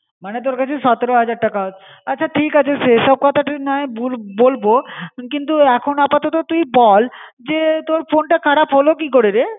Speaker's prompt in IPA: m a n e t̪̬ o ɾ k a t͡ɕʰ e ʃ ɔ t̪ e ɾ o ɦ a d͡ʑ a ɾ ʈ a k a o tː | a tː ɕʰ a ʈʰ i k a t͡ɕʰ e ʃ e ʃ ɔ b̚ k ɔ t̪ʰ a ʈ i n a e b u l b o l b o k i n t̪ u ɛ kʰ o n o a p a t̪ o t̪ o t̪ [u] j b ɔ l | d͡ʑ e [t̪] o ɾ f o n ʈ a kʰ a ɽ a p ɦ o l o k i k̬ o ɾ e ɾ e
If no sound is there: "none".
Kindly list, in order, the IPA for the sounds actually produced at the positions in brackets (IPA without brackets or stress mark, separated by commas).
u, t̪